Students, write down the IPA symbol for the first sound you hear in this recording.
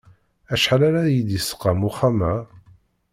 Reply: æ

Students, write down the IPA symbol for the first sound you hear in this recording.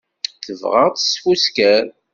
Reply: θ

